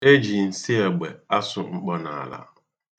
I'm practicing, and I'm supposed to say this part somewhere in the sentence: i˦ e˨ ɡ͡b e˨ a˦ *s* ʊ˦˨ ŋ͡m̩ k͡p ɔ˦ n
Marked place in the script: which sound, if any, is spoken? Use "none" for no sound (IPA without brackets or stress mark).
s